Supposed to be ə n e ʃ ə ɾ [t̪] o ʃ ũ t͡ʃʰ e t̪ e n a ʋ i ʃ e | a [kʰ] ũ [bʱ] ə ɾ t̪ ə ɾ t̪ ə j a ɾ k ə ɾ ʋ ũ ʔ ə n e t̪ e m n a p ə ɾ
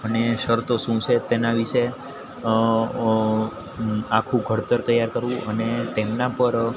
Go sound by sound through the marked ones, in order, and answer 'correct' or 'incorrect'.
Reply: correct, correct, incorrect: ɡʱ

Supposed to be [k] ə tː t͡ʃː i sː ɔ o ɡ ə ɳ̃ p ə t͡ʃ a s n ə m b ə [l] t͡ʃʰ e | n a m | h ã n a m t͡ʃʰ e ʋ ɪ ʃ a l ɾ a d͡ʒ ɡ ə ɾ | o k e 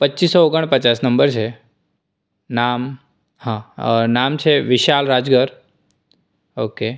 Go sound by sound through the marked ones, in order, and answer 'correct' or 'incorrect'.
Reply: incorrect: p, incorrect: ɾ

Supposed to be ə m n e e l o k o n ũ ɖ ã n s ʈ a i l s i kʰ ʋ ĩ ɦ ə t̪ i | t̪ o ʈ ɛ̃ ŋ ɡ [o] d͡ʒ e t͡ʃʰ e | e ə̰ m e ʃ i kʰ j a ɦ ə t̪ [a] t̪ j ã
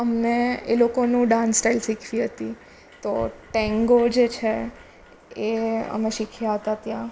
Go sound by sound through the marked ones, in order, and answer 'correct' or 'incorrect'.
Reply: correct, correct

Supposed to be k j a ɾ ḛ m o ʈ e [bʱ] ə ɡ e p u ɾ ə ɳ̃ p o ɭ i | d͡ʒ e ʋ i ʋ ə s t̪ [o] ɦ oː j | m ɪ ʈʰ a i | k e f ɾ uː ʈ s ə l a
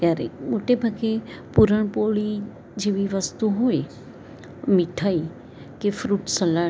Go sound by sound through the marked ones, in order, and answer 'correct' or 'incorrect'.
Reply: correct, incorrect: u

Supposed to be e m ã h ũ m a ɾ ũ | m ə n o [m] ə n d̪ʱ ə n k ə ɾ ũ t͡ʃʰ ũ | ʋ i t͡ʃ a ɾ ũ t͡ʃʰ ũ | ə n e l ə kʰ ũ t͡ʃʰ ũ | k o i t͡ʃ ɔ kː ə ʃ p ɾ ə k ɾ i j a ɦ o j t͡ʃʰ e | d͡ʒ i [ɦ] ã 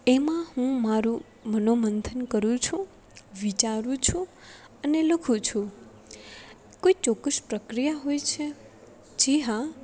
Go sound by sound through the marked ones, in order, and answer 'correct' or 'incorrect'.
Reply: correct, correct

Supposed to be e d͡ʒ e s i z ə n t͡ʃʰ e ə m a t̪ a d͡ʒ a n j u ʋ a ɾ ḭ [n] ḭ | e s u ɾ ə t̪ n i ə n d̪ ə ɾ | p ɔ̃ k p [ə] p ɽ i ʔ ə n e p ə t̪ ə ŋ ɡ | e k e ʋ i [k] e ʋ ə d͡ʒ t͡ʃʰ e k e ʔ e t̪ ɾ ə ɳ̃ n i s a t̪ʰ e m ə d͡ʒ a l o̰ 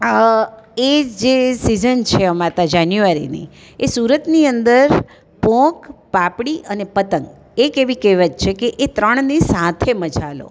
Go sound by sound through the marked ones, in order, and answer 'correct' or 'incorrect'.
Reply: correct, incorrect: a, correct

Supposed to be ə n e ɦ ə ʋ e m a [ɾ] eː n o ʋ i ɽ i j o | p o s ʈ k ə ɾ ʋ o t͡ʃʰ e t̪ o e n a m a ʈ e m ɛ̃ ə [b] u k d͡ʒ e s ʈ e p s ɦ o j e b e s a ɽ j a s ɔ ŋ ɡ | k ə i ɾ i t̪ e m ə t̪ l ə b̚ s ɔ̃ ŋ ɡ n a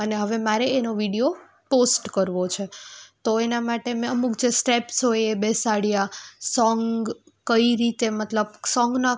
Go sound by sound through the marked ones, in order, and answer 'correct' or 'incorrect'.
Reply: correct, incorrect: m

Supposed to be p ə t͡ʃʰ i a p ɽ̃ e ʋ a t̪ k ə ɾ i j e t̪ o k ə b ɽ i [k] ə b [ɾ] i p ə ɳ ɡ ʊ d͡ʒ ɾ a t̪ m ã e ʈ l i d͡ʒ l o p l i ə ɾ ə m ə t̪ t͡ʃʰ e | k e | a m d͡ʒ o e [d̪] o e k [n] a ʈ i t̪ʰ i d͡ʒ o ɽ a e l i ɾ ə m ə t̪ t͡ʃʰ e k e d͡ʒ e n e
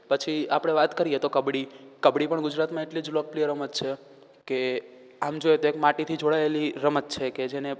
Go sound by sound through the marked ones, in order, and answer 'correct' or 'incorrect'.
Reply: correct, incorrect: ɽ, incorrect: t̪, incorrect: m

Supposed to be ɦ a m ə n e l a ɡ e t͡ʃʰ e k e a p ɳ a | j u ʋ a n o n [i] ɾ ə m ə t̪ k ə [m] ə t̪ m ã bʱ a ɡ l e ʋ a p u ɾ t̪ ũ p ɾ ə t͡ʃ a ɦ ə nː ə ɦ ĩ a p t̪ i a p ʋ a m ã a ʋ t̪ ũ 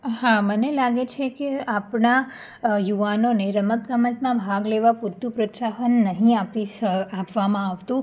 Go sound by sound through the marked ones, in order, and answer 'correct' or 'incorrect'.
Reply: incorrect: e, correct

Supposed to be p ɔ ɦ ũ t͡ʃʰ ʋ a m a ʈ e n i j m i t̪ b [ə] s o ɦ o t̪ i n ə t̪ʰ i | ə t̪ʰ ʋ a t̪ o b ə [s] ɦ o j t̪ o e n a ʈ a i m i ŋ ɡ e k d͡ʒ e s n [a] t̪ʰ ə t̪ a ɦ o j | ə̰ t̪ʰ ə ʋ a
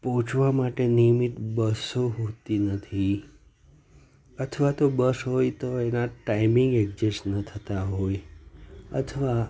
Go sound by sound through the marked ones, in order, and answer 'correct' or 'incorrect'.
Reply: correct, correct, incorrect: ə

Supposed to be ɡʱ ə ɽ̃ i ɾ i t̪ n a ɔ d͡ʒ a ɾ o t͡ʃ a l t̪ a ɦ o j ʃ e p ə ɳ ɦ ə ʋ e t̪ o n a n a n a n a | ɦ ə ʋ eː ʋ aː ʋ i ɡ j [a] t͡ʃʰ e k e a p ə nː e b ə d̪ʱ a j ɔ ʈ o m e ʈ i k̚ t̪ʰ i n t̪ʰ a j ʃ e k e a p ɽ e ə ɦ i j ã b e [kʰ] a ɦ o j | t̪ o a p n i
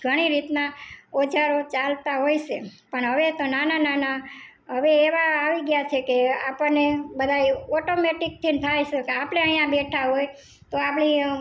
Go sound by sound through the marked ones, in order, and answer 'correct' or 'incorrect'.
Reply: correct, incorrect: ʈʰ

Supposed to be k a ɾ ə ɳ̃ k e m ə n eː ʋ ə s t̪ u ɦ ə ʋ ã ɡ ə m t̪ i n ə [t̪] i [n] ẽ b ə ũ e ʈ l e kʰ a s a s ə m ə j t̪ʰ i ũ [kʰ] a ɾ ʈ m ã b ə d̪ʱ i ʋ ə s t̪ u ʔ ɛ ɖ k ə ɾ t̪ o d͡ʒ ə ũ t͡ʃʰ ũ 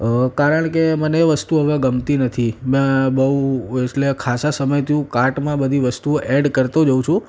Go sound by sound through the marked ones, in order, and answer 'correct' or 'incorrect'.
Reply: incorrect: t̪ʰ, incorrect: m, incorrect: k

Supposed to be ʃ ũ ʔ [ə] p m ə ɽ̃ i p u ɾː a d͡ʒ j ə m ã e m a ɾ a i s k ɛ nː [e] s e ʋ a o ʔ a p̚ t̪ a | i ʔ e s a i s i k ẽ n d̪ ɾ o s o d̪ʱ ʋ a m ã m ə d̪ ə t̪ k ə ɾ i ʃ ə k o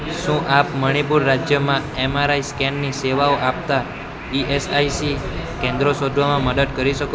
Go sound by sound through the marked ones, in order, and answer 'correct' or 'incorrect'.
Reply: incorrect: a, incorrect: i

